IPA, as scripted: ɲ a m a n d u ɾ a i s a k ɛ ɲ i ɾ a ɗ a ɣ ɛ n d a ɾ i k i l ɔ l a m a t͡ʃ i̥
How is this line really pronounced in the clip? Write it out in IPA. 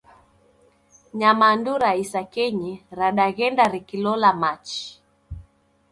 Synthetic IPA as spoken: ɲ a m a n d u ɾ a i s a k ɛ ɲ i ɾ a ɗ a ɣ ɛ n d a ɾ i k i l ɔ l a m a t͡ʃ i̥